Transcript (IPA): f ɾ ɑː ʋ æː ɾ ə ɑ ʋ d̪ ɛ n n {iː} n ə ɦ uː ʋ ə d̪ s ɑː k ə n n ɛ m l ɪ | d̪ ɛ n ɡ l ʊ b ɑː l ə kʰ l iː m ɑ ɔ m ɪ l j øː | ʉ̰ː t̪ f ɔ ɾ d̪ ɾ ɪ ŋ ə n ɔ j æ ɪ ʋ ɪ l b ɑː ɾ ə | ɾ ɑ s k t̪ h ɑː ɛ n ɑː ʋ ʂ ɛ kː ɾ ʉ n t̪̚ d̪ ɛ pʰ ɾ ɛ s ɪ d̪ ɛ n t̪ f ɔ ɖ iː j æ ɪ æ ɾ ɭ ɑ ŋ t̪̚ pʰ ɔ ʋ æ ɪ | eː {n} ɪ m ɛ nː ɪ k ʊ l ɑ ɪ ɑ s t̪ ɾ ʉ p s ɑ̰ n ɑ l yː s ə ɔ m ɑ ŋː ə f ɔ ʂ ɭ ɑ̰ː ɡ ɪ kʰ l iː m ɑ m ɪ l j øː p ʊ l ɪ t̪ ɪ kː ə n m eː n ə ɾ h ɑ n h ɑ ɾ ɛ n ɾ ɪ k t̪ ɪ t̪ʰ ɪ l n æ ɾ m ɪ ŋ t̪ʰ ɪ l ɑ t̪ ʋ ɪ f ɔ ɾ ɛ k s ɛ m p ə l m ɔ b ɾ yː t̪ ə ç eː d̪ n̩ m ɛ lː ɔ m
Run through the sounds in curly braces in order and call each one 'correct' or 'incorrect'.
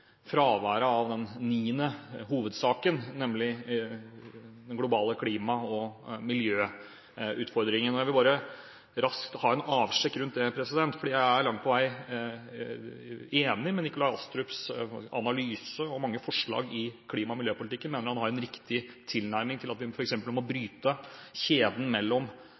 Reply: correct, correct

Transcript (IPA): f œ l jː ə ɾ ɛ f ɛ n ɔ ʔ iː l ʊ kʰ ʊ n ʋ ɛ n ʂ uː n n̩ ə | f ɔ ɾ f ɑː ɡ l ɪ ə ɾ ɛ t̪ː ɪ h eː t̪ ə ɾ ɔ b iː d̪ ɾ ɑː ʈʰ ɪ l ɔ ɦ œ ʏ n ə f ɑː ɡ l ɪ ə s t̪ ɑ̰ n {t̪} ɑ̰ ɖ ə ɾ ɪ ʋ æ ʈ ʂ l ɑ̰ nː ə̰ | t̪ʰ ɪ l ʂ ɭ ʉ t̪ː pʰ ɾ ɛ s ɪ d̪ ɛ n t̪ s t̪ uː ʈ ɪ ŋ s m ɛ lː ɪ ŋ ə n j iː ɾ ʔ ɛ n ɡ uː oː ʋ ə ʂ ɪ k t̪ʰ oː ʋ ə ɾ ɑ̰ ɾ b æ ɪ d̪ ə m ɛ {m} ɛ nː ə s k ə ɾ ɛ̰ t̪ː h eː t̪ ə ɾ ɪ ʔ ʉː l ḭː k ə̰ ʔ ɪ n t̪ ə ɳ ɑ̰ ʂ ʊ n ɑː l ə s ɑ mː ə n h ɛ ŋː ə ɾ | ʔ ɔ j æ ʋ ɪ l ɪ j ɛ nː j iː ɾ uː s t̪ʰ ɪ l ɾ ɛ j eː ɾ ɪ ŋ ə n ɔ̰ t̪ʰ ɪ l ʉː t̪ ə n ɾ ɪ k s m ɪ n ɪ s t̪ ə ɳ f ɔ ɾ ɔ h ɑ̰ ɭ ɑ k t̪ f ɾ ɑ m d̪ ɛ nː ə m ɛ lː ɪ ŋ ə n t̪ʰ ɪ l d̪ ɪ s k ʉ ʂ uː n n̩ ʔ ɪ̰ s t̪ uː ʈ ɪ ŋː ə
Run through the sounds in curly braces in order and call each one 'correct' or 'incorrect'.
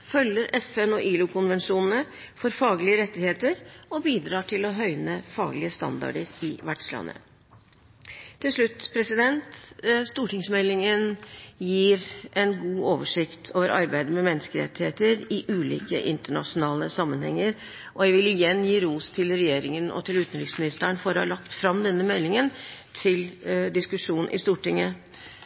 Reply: incorrect: d̪, correct

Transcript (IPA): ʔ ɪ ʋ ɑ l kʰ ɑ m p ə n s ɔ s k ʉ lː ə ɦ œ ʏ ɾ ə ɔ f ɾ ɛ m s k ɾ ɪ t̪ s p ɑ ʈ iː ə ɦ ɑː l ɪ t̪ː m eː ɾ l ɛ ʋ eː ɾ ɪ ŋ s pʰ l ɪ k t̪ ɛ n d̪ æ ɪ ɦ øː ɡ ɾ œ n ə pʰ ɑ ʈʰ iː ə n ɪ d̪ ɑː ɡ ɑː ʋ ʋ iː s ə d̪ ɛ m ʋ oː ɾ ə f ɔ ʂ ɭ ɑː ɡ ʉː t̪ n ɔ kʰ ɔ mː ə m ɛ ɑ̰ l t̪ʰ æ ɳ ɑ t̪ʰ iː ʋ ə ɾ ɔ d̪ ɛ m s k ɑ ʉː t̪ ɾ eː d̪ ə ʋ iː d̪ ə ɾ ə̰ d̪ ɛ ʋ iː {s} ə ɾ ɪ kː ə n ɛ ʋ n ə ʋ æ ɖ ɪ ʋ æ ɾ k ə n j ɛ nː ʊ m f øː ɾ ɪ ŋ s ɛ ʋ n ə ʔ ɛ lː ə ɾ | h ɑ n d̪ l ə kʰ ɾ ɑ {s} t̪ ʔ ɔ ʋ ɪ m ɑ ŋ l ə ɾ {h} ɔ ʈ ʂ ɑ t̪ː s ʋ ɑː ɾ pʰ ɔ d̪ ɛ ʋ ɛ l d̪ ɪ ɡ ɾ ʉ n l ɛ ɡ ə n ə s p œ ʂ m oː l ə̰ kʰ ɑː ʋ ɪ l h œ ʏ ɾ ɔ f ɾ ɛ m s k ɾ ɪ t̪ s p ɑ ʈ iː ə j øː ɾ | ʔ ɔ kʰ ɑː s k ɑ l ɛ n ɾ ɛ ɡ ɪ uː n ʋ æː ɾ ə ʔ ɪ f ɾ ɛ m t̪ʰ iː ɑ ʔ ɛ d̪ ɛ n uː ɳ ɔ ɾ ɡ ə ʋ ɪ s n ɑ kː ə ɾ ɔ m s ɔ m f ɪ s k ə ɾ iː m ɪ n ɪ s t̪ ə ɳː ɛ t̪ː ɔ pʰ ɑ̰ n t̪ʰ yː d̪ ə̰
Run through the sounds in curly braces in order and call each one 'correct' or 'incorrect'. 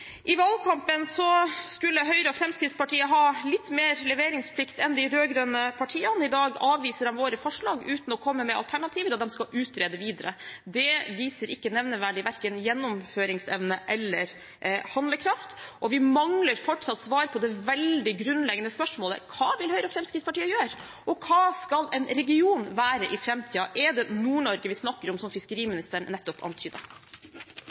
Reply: correct, incorrect: f, incorrect: f

